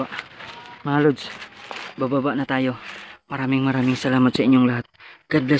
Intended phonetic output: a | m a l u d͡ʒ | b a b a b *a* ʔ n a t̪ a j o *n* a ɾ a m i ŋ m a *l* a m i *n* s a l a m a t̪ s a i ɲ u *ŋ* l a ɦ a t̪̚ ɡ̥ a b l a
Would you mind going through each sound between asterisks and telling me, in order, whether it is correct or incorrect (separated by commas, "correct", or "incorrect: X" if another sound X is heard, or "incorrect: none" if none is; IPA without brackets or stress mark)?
correct, incorrect: m, incorrect: ɾ, incorrect: ŋ, correct